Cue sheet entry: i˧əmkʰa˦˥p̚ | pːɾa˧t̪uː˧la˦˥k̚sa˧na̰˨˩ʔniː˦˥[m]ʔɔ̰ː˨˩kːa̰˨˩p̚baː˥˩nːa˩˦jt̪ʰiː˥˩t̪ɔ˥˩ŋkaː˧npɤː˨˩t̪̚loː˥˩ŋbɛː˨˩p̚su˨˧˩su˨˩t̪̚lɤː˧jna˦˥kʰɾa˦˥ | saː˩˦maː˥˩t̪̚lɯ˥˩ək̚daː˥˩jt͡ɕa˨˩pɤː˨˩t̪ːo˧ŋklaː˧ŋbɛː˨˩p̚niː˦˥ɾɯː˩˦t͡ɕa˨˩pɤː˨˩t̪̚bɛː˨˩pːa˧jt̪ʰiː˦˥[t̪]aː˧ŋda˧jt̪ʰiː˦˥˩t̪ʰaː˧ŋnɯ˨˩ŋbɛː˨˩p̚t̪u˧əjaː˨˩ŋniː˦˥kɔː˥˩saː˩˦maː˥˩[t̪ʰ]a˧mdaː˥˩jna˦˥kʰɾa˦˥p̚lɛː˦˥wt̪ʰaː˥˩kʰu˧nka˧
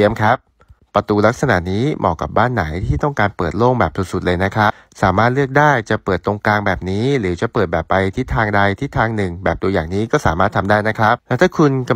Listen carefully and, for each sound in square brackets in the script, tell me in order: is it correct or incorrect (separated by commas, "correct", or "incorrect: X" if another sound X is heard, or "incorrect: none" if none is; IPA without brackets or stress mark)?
correct, incorrect: t̪ʰ, correct